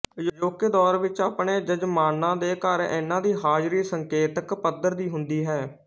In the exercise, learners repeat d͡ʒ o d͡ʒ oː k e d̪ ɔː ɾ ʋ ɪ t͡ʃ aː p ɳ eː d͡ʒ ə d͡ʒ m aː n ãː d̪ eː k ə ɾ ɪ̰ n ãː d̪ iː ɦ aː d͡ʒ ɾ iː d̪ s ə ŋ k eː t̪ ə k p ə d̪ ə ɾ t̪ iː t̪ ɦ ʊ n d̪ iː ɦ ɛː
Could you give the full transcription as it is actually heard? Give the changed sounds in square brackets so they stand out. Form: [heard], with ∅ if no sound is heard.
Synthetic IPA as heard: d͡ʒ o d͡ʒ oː k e d̪ ɔː ɾ ʋ ɪ t͡ʃ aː p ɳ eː d͡ʒ ə d͡ʒ m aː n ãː d̪ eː k ə ɾ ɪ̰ n ãː d̪ iː ɦ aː d͡ʒ ɾ iː [∅] s ə ŋ k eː t̪ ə k p ə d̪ ə ɾ [d̪] iː [∅] ɦ ʊ n d̪ iː ɦ ɛː